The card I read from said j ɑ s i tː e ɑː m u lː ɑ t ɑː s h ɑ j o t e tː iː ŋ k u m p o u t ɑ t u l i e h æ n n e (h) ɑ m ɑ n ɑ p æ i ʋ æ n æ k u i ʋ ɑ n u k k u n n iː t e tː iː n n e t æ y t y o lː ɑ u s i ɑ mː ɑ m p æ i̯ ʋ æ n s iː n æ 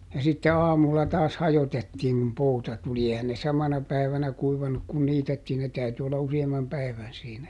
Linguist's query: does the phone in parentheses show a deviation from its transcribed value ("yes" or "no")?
yes